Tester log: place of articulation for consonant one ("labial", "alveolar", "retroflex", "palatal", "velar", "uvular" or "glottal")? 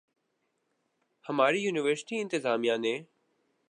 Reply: glottal